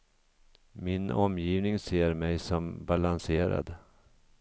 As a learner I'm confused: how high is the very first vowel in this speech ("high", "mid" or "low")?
high